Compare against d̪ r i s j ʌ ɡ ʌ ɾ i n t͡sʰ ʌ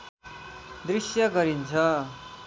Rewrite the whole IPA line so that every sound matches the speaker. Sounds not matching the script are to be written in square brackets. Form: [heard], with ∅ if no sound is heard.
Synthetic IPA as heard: d̪ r i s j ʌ ɡ ʌ ɾ i n t͡sʰ ʌ